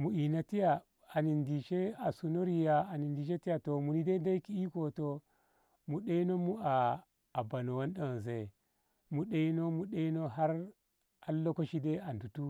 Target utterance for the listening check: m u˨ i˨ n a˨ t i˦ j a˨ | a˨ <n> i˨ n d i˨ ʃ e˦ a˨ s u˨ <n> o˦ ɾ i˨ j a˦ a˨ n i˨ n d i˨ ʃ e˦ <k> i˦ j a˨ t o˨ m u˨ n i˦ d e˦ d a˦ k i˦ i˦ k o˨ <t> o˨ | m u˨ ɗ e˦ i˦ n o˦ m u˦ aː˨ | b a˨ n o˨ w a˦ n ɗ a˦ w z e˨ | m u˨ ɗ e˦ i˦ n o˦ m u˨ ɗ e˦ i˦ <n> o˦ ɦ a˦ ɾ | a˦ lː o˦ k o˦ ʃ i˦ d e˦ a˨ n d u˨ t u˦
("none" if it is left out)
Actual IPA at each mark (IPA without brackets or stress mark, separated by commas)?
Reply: n, n, t, t, n